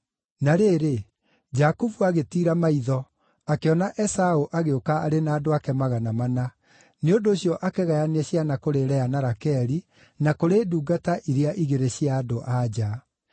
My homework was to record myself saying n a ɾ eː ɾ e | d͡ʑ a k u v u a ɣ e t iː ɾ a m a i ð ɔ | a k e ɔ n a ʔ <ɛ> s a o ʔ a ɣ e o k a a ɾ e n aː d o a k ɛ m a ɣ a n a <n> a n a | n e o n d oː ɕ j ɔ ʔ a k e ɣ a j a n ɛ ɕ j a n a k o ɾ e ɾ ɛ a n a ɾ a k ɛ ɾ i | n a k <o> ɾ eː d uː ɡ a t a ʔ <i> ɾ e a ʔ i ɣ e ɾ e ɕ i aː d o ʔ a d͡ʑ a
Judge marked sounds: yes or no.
yes, no, yes, yes

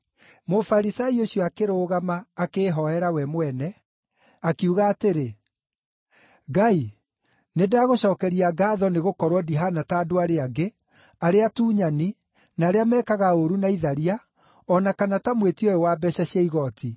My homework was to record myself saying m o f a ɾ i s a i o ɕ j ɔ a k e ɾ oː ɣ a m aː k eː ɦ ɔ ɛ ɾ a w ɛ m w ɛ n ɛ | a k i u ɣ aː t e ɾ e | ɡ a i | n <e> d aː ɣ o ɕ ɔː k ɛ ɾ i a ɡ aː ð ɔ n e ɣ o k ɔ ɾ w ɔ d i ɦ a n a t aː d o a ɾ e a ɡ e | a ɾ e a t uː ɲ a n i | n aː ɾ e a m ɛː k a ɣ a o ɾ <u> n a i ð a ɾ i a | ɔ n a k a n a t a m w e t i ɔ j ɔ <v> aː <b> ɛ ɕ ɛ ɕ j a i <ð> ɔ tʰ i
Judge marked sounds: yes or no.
yes, yes, no, yes, no

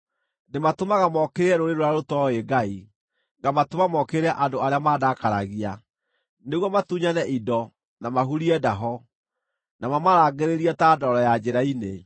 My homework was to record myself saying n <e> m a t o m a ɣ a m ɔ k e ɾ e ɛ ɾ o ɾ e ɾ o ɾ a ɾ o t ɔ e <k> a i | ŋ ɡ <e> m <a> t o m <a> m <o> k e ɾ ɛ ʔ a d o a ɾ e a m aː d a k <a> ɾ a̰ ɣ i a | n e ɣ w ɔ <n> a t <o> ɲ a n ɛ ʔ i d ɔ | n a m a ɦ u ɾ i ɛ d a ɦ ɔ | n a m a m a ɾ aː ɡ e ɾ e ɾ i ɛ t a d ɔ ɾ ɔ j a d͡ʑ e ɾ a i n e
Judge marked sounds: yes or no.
yes, no, no, yes, yes, no, yes, no, no

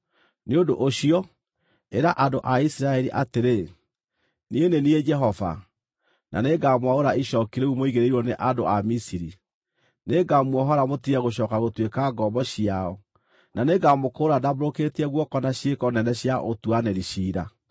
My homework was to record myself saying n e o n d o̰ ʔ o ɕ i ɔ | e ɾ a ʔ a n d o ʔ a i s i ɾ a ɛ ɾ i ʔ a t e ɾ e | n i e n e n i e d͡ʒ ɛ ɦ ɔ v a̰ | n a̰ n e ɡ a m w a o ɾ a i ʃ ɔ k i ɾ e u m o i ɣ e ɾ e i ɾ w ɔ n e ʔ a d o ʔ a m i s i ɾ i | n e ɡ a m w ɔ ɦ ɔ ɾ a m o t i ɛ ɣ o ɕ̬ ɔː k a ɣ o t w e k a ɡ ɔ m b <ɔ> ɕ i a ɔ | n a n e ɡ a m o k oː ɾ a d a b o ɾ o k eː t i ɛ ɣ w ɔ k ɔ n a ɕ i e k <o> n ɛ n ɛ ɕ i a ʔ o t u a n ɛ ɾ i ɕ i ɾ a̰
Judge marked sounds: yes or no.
yes, no

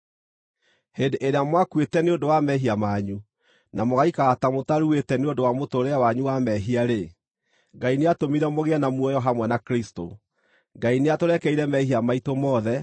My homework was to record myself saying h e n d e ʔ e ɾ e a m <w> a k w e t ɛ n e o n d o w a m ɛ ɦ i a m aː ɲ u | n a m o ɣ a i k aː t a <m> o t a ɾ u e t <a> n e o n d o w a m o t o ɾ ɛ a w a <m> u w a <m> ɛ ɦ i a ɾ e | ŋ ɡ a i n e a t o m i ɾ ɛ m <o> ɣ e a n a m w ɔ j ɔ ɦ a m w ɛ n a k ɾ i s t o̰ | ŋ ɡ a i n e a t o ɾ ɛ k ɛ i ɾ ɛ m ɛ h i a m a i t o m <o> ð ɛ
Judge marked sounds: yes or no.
yes, yes, no, no, yes, yes, no

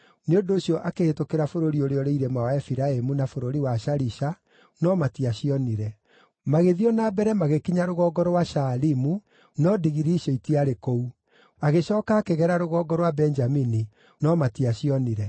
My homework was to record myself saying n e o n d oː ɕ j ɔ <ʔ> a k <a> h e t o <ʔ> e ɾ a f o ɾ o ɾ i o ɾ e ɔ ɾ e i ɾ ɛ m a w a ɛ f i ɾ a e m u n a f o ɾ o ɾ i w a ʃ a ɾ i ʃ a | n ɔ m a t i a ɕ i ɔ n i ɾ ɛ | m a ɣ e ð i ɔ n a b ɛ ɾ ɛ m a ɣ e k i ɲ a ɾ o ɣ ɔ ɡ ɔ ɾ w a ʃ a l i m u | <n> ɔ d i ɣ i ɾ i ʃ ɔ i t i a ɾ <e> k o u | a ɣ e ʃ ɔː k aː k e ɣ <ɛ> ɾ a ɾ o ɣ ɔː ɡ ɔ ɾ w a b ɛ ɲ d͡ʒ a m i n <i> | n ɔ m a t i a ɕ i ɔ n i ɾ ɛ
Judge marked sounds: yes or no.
yes, no, no, yes, yes, yes, yes

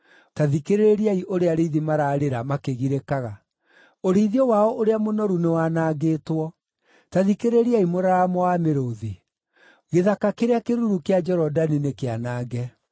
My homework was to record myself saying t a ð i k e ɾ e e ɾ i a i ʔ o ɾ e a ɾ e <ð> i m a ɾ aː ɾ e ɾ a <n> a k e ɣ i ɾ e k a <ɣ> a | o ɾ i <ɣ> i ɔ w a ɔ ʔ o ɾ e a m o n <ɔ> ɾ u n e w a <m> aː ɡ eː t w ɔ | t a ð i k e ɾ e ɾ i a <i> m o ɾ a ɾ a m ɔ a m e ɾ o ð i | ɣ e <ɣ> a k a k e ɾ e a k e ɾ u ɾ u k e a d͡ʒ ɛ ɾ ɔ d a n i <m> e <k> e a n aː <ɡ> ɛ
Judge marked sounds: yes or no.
yes, no, yes, no, yes, no, yes, no, no, yes, yes

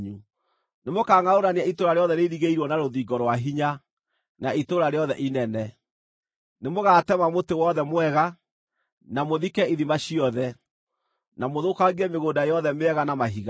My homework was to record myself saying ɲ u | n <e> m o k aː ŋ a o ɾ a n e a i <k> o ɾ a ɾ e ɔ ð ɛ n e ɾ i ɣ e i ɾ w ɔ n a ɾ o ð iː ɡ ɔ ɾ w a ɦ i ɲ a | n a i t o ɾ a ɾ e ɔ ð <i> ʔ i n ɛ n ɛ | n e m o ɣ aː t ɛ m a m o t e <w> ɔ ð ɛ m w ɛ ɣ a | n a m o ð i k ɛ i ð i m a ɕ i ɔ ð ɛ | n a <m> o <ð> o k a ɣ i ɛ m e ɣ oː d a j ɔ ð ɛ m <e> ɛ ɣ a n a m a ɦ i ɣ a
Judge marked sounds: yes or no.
yes, no, no, yes, yes, yes, yes

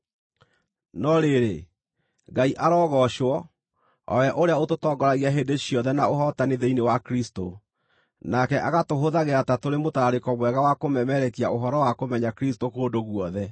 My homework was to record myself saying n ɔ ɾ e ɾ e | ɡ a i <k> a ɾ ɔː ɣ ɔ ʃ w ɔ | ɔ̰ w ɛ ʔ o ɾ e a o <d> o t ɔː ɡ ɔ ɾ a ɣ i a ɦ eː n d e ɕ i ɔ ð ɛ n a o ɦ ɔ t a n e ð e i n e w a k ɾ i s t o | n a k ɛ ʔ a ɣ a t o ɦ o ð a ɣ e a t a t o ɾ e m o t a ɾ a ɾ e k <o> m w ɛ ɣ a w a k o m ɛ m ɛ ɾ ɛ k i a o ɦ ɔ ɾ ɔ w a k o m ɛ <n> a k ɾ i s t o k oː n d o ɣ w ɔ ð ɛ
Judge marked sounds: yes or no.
no, no, no, no

